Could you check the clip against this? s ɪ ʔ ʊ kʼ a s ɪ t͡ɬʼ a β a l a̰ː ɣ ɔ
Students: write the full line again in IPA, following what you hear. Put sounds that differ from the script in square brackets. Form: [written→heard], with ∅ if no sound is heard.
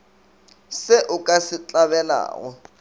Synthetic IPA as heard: s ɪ ʔ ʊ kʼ a s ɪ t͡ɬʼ a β [a→ɛ] l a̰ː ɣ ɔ